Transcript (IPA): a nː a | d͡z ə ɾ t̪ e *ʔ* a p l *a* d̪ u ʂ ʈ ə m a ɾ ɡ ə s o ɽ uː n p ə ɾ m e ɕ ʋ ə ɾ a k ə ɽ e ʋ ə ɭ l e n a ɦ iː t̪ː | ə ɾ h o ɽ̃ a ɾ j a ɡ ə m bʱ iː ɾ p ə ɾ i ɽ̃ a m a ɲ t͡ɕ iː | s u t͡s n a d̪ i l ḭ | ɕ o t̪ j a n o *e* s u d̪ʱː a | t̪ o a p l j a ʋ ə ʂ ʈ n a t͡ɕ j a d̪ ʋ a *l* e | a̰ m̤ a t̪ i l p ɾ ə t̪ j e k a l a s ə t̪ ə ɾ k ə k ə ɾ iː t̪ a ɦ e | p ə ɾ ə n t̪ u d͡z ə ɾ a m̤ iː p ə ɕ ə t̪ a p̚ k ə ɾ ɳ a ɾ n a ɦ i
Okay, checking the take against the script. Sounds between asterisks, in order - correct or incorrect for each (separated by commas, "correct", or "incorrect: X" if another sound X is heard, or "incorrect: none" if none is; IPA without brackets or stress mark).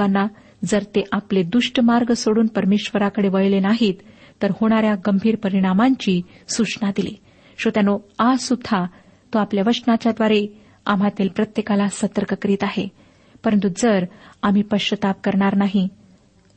correct, incorrect: e, incorrect: a, incorrect: ɾ